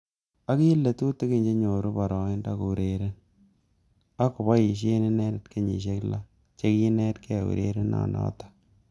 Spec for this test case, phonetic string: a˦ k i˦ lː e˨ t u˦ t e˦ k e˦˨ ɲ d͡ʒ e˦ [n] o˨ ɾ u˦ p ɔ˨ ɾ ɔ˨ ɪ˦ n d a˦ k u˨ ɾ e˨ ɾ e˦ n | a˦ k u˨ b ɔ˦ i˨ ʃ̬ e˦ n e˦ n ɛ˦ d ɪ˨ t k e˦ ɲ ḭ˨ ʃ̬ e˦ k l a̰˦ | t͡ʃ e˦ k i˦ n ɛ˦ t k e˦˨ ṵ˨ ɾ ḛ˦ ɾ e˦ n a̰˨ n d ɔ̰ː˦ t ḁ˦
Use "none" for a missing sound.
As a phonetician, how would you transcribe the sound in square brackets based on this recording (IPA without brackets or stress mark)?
ɲ